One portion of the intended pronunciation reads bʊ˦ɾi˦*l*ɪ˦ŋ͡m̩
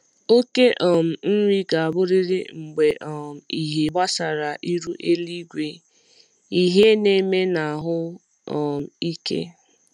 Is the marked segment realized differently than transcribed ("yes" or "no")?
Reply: yes